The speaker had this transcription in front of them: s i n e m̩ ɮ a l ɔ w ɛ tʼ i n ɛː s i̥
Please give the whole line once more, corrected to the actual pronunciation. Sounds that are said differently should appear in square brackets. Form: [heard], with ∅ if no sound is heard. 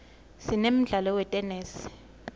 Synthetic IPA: s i n e m̩ ɮ a l ɔ w ɛ tʼ [ɛ] n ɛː s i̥